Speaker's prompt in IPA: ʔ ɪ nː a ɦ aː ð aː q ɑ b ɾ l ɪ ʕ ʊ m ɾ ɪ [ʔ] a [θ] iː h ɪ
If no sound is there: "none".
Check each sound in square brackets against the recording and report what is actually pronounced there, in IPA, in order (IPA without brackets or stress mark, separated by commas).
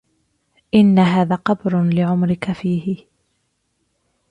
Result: k, f